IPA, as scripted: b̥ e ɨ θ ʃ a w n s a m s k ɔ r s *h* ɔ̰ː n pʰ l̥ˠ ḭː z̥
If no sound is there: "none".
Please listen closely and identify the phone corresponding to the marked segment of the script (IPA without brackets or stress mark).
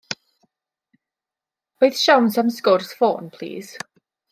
f